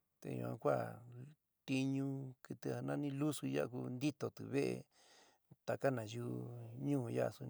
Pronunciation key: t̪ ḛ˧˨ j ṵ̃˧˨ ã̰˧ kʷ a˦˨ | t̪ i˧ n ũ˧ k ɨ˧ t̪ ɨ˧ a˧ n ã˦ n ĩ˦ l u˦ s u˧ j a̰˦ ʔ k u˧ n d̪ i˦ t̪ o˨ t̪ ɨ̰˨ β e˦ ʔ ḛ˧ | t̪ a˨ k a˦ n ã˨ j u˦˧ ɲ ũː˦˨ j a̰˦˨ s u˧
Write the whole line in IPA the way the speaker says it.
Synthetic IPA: t̪ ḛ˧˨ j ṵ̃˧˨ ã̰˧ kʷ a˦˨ | t̪ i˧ ɲ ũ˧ k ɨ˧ t̪ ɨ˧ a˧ n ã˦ n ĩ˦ l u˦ s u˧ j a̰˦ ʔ k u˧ n d̪ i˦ t̪ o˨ t̪ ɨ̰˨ β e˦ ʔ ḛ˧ | t̪ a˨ k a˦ n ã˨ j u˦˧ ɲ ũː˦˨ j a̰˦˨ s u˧